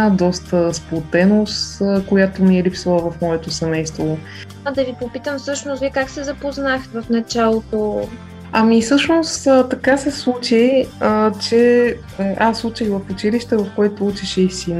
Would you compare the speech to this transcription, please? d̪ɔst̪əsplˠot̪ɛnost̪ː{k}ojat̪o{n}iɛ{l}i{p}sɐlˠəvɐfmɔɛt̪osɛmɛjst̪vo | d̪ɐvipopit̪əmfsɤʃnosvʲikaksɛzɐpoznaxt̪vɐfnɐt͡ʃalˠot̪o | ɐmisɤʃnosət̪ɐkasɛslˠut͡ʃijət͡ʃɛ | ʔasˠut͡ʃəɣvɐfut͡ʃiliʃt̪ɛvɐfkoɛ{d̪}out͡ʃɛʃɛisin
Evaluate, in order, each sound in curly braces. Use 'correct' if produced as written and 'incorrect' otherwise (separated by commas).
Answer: correct, incorrect, correct, correct, incorrect